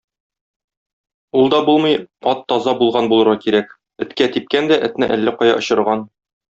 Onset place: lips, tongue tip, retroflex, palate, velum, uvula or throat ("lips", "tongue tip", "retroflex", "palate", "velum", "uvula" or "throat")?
tongue tip